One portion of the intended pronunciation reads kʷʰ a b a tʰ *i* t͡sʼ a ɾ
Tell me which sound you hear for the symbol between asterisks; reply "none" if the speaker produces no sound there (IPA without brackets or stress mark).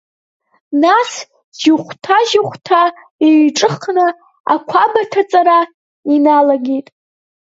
a